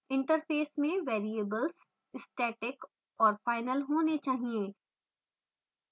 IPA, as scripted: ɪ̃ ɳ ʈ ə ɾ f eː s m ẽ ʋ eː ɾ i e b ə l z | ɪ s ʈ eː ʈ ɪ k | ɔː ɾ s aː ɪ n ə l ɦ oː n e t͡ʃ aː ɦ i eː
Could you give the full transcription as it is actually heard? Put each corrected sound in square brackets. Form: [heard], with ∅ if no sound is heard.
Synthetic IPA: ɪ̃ ɳ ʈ ə ɾ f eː s m ẽ ʋ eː ɾ i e b ə l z | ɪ s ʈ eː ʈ ɪ k | ɔː ɾ [f] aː ɪ n ə l ɦ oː n e t͡ʃ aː ɦ i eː